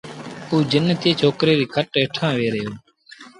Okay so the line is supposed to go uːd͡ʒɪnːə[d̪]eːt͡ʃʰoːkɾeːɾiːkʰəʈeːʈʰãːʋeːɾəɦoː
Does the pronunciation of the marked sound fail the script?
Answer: yes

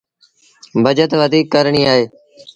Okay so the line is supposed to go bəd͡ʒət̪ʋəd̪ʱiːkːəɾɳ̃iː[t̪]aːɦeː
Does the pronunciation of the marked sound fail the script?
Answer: yes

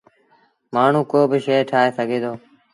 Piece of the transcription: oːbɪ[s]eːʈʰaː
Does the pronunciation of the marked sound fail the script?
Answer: yes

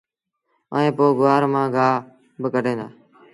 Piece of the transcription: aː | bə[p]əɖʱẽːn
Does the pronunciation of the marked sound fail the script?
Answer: yes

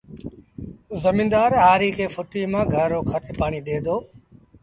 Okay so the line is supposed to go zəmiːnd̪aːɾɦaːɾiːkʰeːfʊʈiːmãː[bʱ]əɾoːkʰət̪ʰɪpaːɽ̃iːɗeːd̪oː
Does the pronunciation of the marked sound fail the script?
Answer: yes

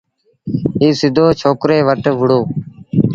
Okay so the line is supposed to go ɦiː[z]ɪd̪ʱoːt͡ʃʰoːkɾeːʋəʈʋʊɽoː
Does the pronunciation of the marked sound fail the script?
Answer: yes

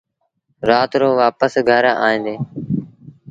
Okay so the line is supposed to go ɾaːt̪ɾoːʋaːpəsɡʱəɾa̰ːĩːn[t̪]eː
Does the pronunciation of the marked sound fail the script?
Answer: yes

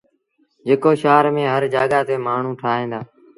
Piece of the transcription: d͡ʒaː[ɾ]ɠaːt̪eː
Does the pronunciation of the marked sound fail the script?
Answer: yes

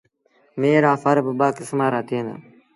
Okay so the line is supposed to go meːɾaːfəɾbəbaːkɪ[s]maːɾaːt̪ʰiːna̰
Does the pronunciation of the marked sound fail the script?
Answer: no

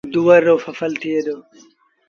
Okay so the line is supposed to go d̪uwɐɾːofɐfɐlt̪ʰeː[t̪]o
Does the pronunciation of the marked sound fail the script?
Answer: yes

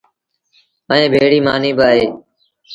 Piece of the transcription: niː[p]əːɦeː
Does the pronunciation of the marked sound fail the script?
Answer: yes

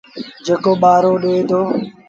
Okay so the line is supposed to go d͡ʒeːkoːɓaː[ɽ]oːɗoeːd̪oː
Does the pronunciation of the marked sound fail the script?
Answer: yes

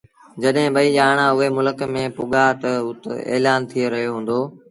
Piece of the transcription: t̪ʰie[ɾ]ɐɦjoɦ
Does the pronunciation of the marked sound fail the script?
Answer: no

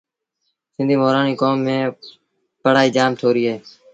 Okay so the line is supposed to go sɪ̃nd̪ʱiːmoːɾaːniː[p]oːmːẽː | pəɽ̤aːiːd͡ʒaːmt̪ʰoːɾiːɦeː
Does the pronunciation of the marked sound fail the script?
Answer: yes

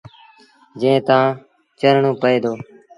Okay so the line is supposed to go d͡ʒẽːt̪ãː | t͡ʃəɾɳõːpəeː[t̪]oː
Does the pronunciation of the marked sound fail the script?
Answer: yes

